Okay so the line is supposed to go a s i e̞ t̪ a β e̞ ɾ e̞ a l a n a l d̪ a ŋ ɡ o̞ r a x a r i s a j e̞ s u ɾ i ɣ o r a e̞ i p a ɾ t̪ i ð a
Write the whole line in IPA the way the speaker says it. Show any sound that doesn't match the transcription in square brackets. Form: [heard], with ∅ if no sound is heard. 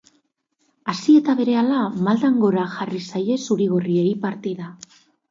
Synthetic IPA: a s i e̞ t̪ a β e̞ ɾ e̞ a l a [m] a l d̪ a ŋ ɡ o̞ [ɾ] a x a r i s a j e̞ s u ɾ i ɣ o r [i] e̞ i p a ɾ t̪ i ð a